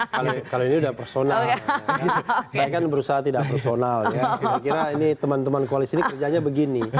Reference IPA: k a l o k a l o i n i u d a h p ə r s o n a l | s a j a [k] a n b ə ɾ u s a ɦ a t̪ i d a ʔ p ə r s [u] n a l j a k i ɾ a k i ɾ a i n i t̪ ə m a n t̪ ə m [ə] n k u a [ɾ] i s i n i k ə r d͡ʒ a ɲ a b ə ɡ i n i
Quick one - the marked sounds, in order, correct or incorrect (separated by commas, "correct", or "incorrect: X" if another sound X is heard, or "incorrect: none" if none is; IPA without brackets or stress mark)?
correct, incorrect: o, incorrect: a, incorrect: l